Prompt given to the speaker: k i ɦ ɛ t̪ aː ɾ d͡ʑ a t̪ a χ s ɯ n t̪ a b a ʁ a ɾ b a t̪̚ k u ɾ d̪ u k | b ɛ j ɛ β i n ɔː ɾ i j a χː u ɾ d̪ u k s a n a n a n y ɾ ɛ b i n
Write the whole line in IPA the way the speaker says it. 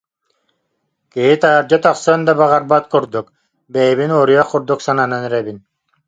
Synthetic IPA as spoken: k i ɦ i t̪ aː ɾ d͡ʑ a t̪ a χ s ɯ n d̪ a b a ʁ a ɾ b a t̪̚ k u ɾ d̪ u k | b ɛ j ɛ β i n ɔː ɾ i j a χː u ɾ d̪ u k s a n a n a n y ɾ ɛ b i n